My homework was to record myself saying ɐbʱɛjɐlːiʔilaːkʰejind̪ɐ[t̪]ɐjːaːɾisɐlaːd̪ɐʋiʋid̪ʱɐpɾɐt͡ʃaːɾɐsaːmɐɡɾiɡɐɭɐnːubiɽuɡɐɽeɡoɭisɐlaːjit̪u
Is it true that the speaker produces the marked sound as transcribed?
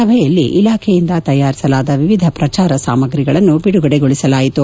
yes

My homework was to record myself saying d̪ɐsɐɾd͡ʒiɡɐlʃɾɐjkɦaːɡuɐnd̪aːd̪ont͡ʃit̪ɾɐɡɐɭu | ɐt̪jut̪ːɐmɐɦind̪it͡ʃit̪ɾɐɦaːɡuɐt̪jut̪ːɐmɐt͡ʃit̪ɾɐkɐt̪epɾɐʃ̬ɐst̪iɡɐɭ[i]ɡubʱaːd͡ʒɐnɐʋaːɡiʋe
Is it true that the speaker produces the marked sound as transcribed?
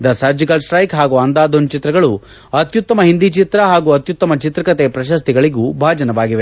yes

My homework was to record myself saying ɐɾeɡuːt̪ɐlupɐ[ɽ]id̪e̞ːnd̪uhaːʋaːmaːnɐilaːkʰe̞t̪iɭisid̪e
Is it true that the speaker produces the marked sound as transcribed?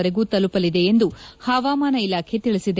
no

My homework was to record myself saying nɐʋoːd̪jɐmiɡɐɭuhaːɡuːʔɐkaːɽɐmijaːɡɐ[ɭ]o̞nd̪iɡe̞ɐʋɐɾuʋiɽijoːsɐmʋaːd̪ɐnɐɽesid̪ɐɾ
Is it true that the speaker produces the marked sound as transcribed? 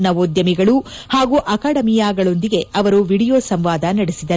yes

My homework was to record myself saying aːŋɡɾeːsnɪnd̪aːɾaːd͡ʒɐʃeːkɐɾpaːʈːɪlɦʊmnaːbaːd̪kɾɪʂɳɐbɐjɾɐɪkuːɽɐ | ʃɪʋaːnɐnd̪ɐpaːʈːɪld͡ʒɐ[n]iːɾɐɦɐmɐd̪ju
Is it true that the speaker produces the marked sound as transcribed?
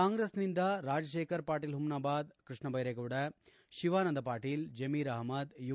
no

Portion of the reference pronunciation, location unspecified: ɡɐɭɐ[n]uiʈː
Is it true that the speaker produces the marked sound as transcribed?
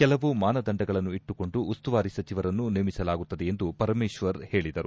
no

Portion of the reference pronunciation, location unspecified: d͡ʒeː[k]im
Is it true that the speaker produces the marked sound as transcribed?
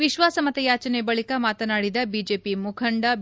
no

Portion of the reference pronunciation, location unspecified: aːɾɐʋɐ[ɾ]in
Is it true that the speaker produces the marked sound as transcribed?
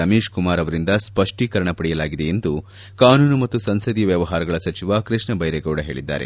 yes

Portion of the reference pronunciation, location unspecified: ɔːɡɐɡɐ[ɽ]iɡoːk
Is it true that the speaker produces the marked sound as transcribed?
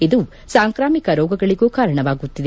no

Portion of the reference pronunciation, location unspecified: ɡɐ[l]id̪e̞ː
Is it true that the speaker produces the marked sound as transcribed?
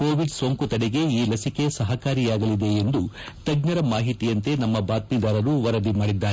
yes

